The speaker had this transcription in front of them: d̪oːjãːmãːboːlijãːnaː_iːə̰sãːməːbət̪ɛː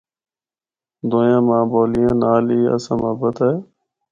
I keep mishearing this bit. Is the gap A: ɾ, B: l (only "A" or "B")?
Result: B